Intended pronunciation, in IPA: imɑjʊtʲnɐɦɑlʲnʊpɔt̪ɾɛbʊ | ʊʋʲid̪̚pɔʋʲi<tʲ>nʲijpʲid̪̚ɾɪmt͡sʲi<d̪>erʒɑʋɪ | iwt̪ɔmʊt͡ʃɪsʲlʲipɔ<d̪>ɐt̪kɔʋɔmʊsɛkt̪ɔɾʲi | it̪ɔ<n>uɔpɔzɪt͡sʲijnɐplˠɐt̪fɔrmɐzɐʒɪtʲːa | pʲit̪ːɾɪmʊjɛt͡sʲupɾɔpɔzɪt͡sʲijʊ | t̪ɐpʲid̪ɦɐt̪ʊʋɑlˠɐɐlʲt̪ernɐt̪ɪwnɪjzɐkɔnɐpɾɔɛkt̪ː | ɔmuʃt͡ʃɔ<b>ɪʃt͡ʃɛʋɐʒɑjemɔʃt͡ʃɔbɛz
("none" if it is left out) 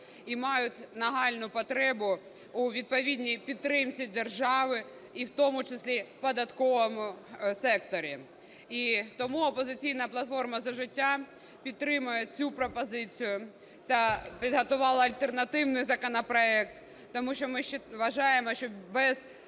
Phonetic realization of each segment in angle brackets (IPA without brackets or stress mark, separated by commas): dʲ, d̪, d̪, m, m